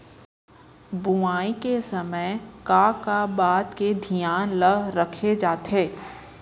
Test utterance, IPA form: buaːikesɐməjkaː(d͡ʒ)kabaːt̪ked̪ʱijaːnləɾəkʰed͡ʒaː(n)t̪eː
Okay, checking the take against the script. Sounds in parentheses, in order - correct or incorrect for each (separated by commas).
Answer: incorrect, incorrect